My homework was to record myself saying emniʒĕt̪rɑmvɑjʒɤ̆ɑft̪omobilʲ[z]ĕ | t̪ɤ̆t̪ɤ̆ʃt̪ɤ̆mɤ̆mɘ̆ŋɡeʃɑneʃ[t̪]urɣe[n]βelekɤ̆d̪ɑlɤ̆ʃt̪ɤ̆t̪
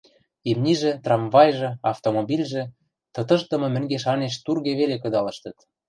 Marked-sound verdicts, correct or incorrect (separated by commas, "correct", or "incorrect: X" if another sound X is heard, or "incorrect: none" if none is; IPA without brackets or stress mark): incorrect: ʒ, correct, incorrect: none